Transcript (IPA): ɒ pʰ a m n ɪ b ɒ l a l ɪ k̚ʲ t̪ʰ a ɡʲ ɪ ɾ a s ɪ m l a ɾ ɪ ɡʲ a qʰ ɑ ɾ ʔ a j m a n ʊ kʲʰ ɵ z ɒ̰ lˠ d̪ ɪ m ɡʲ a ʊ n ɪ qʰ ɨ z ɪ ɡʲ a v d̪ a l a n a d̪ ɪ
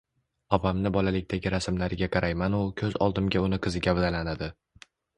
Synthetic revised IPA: ɒ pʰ a m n ɪ b ɒ l a l ɪ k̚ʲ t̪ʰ a ɡʲ ɪ ɾ a s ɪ m l a ɾ ɪ ɡʲ a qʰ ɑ ɾ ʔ a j m a n ʊ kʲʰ ɵ z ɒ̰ lˠ d̪ ɪ m ɡʲ a ʊ n ɪ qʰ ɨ z ɪ ɡʲ a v d̪ a l a n a d̪ ɪ